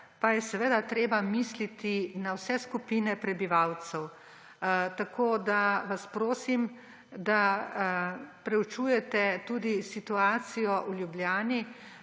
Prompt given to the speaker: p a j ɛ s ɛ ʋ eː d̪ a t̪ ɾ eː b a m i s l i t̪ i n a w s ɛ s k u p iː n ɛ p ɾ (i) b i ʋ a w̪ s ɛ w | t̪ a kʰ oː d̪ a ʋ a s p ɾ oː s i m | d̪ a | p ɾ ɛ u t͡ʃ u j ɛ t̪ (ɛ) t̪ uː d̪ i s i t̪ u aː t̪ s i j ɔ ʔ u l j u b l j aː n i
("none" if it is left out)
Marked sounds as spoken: ɛ, ɛ

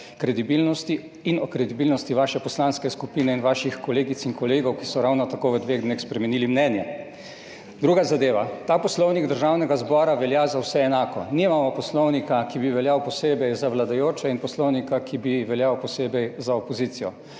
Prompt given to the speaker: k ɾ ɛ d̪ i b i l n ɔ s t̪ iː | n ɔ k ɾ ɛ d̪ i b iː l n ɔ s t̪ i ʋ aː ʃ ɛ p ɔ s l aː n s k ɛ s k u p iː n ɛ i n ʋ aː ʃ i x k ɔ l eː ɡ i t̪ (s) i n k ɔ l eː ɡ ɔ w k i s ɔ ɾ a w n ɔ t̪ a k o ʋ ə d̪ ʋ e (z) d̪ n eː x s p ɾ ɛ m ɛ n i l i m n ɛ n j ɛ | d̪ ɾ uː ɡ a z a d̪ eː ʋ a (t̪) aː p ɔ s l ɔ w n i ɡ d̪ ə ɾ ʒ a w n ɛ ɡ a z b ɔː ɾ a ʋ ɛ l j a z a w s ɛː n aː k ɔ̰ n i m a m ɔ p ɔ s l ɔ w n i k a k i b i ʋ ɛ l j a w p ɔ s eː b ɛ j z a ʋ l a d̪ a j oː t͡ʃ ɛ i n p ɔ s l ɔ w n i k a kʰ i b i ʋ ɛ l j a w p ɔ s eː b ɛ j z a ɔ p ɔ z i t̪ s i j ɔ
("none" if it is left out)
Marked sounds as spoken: s, ɣ, t̪

